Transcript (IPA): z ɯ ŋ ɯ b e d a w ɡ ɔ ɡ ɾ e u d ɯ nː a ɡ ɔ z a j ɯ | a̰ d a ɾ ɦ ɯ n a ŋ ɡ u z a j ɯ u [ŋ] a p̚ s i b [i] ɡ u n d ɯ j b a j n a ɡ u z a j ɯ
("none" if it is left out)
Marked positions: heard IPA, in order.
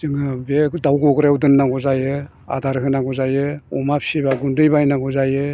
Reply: m, a

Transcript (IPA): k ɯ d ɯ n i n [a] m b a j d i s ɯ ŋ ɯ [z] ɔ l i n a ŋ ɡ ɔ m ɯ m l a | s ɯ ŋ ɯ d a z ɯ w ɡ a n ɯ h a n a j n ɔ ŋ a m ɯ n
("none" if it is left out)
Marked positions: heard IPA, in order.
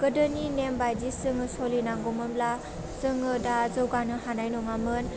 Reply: e, s

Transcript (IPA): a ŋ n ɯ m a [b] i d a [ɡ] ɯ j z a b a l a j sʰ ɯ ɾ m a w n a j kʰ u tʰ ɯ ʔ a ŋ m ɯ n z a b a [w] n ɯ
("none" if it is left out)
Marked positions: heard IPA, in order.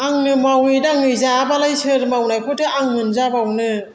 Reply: w, ŋ, w

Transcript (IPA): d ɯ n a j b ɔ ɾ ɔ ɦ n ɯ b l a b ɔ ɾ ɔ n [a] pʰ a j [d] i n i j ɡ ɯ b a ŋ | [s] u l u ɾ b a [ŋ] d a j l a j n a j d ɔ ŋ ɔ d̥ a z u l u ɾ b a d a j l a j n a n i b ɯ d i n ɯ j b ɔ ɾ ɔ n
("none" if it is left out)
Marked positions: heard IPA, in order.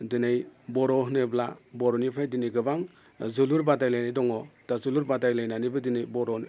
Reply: i, d, z, none

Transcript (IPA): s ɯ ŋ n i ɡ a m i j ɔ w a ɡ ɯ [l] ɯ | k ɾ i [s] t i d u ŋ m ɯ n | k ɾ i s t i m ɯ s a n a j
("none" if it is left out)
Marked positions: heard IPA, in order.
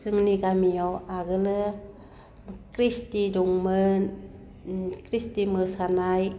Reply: l, s

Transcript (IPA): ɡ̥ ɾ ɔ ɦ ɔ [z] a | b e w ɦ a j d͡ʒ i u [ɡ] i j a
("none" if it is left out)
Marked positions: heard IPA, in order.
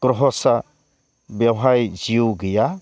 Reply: s, ɡ

